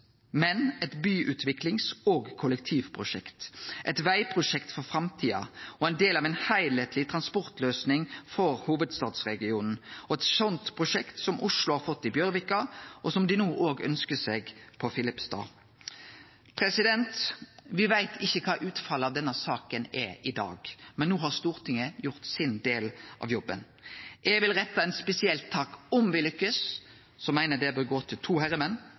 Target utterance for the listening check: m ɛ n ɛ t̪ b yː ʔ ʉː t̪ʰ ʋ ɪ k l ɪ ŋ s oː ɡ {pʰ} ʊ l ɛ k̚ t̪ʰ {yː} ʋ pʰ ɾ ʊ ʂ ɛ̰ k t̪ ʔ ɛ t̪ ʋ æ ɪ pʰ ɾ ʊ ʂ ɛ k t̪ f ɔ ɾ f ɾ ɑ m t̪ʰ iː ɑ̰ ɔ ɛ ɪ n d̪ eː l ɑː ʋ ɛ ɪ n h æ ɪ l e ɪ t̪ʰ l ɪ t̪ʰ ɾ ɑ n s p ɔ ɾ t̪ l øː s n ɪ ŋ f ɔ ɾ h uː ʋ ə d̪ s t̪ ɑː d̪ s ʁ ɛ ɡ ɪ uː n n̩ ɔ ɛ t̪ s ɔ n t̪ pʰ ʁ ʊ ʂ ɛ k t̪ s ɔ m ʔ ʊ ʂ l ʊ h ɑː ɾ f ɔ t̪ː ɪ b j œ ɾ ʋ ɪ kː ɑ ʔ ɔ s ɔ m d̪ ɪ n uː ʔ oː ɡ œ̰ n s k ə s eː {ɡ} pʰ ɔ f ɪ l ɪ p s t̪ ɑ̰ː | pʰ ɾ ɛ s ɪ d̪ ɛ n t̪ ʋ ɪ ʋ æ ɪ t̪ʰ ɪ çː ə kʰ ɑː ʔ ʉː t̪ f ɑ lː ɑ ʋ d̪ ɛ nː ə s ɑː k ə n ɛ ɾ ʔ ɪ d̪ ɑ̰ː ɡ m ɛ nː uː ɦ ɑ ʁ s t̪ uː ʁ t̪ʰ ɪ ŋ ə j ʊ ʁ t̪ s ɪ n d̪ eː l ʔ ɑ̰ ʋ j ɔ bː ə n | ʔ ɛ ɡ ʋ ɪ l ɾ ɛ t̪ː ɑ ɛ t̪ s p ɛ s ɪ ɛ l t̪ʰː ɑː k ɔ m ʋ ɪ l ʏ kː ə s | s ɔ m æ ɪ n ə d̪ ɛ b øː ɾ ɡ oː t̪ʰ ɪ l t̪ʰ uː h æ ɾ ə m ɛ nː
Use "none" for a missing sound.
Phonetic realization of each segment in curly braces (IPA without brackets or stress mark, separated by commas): kʰ, iː, ɡ